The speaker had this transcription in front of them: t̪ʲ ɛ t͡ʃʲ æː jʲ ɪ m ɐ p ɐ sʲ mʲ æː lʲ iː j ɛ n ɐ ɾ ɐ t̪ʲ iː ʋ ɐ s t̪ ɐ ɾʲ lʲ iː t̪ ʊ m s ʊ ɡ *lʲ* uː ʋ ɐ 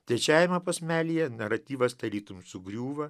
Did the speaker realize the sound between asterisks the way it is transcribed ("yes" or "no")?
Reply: no